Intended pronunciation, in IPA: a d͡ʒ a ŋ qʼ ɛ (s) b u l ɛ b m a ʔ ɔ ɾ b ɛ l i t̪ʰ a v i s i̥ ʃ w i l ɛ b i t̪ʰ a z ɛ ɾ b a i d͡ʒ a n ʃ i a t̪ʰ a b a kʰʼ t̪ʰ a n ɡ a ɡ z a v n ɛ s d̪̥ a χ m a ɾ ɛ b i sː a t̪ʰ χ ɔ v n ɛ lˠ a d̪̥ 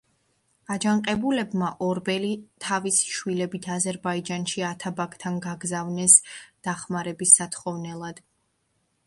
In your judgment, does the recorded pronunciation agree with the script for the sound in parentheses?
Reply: no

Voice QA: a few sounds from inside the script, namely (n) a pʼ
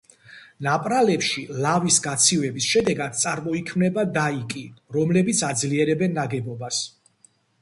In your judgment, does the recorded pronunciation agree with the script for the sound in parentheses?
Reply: yes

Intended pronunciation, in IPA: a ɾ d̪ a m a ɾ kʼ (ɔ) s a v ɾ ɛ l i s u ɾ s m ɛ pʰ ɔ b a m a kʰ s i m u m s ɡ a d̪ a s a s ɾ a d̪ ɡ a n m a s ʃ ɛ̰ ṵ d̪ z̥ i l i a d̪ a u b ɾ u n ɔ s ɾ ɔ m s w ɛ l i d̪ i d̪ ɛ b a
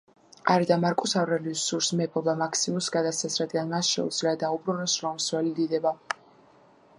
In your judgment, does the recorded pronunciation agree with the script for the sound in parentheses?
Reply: no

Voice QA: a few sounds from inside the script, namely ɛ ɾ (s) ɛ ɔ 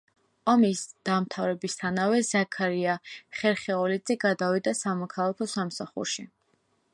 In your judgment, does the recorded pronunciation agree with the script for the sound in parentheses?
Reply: no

